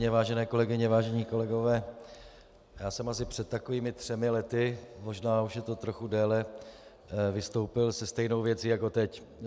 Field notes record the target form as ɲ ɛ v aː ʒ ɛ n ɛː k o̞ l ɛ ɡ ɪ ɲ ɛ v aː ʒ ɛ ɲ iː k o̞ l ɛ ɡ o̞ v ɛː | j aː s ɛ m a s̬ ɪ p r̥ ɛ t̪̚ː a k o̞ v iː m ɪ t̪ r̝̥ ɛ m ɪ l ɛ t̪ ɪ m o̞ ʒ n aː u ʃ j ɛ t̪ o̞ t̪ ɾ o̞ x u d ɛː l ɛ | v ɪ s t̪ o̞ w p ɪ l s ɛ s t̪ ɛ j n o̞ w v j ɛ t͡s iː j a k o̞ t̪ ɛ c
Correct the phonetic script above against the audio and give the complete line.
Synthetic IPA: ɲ ɛ v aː ʒ ɛ n ɛː k o̞ l ɛ ɡ ɪ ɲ ɛ v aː ʒ ɛ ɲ iː k o̞ l ɛ ɡ o̞ v ɛː | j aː s ɛ m a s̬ ɪ p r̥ ɛ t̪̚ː a k o̞ v iː m ɪ t̪ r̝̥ ɛ m ɪ l ɛ t̪ ɪ m o̞ ʒ n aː u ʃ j ɛ t̪ o̞ t̪ ɾ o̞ x u d ɛː l ɛ | v ɪ s t̪ o̞ w p ɪ l s ɛ s t̪ ɛ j n o̞ w v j ɛ t͡s iː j a k o̞ t̪ ɛ c